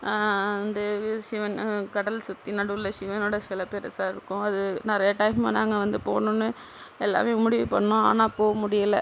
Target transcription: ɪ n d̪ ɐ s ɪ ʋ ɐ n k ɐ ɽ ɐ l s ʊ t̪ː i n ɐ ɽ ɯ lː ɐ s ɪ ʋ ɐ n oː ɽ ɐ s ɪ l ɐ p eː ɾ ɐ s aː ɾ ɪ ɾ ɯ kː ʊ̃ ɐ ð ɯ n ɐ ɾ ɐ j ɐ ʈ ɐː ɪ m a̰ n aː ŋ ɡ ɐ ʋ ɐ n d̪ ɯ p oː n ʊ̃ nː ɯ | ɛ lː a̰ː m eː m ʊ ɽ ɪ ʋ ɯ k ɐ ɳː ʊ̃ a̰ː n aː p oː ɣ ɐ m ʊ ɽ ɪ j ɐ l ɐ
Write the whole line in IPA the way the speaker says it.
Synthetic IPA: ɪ n d̪ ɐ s ɪ ʋ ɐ n k ɐ ɽ ɐ l s ʊ t̪ː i n ɐ ɽ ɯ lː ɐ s ɪ ʋ ɐ n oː ɽ ɐ s ɪ l ɐ p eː ɾ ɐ s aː ɾ ɪ ɾ ɯ kː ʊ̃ ɐ ð ɯ n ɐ ɾ ɐ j ɐ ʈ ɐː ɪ m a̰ n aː ŋ ɡ ɐ ʋ ɐ n d̪ ɯ p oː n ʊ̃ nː ɯ | ɛ lː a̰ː m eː m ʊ ɽ ɪ ʋ ɯ p ɐ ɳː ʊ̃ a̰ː n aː p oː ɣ ɐ m ʊ ɽ ɪ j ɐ l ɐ